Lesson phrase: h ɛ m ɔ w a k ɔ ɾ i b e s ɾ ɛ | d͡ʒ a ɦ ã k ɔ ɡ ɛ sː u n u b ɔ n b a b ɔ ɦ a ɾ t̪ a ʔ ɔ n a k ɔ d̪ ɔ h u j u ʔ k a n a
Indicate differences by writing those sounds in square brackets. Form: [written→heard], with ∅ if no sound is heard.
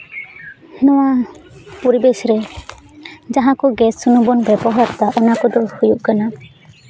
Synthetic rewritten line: h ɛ [m→n] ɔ w a [k→p] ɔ ɾ i b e s ɾ ɛ | d͡ʒ a ɦ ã k ɔ ɡ ɛ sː u n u b ɔ n b [a→ɛ] b ɔ ɦ a ɾ t̪ a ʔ ɔ n a k ɔ d̪ ɔ h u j u ʔ k a n a